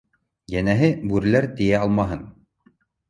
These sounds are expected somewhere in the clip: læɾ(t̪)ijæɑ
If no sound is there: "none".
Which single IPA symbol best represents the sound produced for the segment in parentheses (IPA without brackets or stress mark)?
t̪